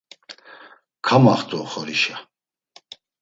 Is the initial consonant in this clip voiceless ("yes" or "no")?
yes